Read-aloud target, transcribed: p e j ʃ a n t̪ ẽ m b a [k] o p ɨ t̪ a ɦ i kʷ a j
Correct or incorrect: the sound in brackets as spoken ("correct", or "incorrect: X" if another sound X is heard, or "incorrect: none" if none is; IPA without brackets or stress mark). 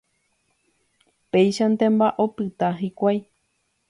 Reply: incorrect: ʔ